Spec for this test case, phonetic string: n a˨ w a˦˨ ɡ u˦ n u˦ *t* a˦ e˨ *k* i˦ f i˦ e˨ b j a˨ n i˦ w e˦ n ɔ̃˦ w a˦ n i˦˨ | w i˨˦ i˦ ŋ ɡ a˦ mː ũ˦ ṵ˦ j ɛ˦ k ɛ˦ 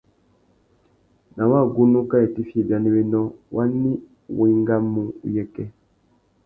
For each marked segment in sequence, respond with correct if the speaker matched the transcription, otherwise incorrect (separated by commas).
incorrect, incorrect